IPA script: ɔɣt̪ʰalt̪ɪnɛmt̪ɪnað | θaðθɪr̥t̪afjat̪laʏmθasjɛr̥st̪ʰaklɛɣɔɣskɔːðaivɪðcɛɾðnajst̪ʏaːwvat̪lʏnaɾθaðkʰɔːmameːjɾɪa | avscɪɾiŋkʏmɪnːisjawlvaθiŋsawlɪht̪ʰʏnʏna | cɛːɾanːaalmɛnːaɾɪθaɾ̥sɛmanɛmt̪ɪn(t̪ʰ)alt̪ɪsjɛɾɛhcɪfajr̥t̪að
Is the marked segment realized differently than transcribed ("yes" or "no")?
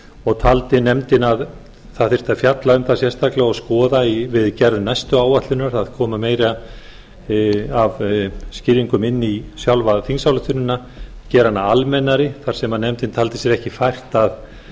no